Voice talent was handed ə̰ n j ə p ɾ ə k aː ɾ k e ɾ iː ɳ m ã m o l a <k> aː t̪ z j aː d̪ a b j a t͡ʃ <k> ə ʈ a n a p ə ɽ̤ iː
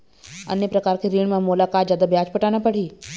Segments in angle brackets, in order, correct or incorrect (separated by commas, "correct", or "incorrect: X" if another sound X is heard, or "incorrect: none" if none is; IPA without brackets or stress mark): correct, incorrect: p